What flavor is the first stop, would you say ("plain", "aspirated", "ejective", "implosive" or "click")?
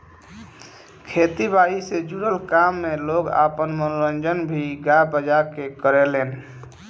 aspirated